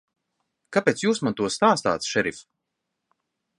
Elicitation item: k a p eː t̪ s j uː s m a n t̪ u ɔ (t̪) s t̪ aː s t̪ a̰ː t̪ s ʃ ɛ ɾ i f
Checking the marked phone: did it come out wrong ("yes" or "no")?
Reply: yes